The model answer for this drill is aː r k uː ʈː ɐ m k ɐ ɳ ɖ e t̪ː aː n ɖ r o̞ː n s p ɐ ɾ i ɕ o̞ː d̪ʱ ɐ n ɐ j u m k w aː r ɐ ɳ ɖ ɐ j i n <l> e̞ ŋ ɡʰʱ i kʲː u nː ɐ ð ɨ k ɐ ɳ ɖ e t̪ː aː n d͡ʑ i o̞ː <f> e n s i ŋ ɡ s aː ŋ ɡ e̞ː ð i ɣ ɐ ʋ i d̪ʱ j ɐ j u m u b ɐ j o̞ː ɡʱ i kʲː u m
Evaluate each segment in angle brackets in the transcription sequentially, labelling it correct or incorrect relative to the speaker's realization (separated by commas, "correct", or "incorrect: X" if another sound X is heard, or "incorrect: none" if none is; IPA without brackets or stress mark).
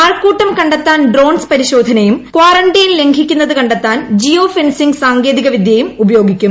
correct, correct